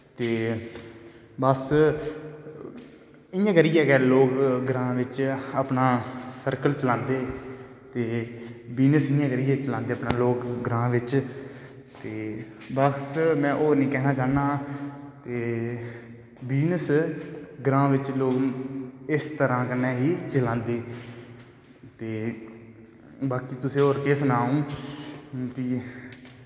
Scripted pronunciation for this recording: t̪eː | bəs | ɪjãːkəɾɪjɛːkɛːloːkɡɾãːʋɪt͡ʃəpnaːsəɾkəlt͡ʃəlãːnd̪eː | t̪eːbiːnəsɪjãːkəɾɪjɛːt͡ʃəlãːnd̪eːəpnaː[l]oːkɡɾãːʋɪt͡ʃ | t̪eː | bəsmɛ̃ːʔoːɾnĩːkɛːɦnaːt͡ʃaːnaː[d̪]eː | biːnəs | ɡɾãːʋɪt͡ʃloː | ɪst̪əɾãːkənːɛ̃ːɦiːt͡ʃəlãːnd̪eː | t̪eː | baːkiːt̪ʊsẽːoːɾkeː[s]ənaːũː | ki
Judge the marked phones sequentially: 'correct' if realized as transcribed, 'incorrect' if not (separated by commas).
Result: correct, incorrect, correct